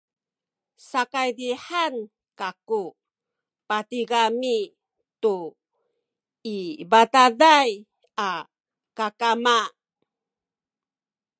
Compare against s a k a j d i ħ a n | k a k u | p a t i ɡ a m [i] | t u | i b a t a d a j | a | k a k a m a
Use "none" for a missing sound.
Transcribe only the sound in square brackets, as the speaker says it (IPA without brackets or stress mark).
i